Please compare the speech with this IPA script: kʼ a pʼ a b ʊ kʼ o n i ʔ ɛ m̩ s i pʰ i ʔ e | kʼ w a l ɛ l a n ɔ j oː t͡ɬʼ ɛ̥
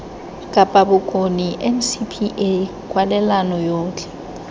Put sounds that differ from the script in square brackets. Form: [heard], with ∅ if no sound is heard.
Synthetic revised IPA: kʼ a pʼ a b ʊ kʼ o n i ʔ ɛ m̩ s i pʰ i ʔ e | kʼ w a l ɛ l a n ɔ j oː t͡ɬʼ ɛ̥